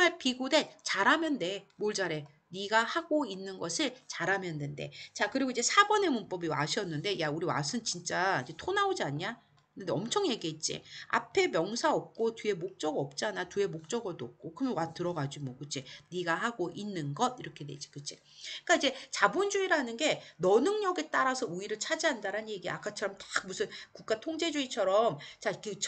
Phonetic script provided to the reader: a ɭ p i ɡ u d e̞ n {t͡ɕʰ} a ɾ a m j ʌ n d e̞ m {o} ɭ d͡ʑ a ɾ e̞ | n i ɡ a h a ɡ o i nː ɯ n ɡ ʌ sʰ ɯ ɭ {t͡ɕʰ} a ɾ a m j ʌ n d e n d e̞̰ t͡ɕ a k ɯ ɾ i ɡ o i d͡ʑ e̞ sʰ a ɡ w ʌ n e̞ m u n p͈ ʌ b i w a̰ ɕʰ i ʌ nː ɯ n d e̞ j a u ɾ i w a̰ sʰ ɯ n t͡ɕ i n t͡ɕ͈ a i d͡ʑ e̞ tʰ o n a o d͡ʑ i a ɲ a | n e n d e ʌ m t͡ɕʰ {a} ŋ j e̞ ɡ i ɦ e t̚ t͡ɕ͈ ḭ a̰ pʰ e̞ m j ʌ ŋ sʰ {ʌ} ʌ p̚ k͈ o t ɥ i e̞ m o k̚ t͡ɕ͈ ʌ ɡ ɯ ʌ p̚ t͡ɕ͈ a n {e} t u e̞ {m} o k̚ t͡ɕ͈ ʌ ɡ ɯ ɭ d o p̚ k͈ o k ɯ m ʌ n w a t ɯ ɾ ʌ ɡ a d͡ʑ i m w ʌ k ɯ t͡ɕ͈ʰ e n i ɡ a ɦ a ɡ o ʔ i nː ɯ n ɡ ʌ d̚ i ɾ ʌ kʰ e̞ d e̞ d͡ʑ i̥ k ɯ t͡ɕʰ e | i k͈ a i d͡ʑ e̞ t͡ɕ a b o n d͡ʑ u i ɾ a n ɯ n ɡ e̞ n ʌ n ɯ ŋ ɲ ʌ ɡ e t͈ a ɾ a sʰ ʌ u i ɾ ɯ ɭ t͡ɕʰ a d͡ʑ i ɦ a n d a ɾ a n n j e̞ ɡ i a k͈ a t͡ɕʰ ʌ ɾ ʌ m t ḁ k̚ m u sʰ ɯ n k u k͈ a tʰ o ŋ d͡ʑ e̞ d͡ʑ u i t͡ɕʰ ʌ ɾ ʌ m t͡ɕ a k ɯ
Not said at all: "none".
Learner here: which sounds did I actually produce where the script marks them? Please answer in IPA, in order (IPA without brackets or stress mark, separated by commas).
t͡ɕ, o, t͡ɕ, ʌ, a, a, m